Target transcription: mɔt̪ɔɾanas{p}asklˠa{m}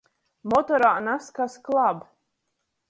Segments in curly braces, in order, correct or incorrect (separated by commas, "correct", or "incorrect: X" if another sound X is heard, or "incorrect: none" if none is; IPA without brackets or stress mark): incorrect: k, incorrect: b